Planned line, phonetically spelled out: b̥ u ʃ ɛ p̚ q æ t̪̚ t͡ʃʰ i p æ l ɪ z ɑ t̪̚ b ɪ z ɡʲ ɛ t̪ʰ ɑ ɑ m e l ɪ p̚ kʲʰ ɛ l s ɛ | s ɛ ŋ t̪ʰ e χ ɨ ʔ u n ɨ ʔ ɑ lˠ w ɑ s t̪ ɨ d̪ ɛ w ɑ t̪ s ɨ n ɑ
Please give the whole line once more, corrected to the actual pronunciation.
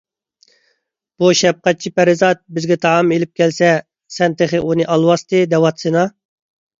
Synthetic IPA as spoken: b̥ u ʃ ɛ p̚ q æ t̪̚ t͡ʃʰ i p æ ɾ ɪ z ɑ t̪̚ b ɪ z ɡʲ ɛ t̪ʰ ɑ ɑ m e l ɪ p̚ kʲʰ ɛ l s ɛ | s ɛ n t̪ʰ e χ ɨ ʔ u n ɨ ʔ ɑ lˠ w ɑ s t̪ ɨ d̪ ɛ w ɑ t̪ s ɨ n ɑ